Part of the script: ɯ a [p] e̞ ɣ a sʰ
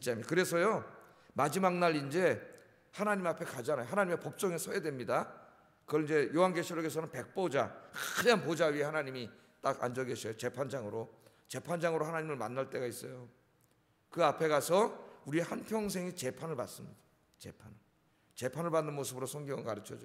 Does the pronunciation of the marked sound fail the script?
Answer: yes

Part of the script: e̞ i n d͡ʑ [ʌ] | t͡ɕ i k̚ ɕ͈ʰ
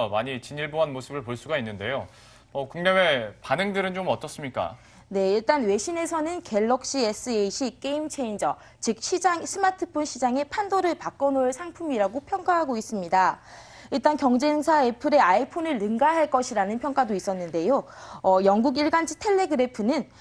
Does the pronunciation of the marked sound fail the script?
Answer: no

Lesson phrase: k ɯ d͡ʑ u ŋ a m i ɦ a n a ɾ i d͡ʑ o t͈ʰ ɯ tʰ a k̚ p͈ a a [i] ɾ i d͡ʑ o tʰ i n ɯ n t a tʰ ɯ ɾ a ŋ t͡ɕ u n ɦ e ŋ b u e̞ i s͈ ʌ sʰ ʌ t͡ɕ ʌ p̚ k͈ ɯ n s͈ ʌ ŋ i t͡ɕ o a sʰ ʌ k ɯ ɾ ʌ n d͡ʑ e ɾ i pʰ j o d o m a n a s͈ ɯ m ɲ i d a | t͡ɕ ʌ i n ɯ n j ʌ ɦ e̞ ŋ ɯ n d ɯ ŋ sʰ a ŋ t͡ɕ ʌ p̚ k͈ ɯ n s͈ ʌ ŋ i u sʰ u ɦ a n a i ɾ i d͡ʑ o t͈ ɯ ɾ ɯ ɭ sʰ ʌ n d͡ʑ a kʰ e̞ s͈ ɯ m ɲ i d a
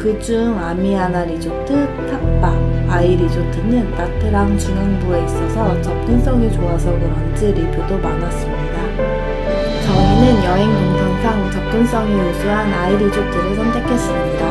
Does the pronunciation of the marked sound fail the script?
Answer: no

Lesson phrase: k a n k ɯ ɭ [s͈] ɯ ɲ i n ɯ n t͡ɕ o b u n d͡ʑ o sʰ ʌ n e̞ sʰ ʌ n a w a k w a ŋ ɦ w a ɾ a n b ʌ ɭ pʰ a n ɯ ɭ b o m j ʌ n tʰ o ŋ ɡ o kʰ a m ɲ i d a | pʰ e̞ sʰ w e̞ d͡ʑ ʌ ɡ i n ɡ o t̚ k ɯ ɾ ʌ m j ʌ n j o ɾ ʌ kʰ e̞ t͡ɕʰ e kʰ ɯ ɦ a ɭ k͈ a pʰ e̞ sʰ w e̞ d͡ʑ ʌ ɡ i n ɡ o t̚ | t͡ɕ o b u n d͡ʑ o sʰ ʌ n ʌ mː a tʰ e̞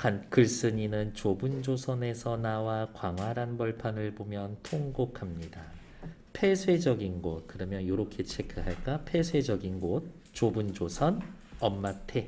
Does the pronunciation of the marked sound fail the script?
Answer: no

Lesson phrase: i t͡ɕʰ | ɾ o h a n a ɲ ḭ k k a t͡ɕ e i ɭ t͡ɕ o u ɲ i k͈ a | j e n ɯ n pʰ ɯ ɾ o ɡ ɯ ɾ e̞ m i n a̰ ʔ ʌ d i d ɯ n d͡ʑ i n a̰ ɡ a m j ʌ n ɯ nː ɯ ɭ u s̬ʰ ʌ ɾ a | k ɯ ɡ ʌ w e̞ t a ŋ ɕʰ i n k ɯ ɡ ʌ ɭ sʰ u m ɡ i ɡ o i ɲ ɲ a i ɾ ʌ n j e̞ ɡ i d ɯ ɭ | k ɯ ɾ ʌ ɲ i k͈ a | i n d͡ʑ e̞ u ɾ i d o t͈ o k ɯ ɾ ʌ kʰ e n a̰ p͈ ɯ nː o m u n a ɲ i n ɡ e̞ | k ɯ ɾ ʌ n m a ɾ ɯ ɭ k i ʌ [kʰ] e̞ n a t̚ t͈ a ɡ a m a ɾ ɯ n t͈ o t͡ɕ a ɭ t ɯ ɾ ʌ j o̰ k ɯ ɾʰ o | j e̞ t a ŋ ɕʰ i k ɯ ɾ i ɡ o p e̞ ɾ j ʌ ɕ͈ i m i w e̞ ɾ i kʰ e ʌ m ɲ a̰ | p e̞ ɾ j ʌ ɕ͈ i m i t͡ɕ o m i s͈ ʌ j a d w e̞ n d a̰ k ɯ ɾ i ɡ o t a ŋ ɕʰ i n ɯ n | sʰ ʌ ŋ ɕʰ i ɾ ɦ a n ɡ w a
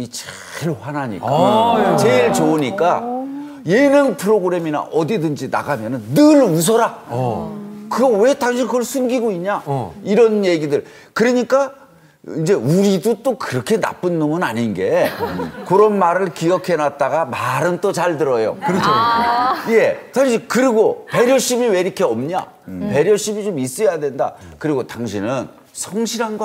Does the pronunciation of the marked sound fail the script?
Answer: no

